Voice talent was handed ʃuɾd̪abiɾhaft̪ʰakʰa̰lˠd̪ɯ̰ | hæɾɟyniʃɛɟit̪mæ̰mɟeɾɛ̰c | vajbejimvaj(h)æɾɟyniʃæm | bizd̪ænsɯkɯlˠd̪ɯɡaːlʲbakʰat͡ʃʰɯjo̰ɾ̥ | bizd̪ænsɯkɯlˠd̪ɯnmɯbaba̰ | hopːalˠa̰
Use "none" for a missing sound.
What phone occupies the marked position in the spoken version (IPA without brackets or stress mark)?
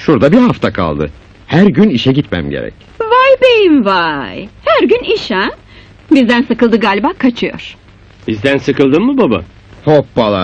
h